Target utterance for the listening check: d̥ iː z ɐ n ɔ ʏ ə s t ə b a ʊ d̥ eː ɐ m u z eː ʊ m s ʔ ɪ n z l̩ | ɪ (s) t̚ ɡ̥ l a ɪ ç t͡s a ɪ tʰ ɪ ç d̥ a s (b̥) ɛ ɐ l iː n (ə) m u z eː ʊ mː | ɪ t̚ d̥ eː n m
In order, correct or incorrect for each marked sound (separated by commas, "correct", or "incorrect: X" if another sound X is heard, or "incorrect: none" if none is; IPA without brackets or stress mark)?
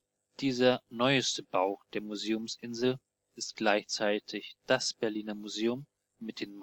correct, correct, incorrect: ɐ